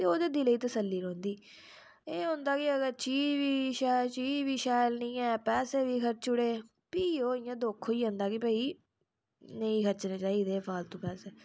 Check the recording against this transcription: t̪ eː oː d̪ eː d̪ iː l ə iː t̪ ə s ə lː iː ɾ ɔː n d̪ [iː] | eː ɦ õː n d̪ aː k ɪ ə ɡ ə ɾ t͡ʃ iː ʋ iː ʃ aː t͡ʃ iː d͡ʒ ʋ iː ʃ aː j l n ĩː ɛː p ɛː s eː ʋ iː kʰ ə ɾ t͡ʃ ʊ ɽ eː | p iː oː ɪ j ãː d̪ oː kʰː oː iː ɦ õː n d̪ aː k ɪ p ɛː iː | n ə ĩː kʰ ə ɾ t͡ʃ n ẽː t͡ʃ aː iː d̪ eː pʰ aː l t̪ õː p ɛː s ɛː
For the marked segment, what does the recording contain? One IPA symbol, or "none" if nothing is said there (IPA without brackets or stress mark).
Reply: iː